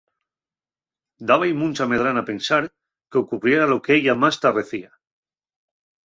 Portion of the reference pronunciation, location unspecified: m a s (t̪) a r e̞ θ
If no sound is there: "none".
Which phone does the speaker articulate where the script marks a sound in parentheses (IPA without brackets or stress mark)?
t̪